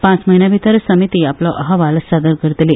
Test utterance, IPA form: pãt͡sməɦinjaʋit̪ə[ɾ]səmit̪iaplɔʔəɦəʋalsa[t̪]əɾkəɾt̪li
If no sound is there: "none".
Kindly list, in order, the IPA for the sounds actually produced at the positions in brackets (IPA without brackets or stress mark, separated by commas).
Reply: ɾ, d̪